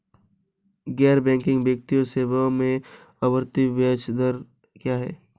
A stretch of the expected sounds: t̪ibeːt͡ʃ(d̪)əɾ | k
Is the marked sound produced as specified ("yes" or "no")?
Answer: yes